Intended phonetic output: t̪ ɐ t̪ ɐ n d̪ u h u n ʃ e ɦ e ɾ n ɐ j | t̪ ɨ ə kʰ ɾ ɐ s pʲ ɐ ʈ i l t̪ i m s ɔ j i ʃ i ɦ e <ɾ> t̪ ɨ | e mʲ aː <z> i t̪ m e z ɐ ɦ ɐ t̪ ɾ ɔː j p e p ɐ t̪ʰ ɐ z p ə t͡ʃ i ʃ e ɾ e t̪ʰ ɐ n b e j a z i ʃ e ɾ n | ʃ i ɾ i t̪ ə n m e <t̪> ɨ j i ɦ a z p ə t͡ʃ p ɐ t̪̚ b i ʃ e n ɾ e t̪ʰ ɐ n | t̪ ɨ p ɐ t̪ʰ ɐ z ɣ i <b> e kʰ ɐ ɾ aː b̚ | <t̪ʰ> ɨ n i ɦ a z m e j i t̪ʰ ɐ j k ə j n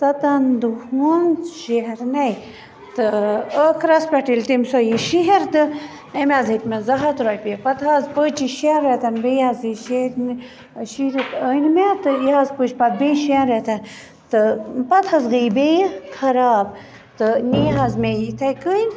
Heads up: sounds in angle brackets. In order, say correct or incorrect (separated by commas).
correct, correct, correct, correct, incorrect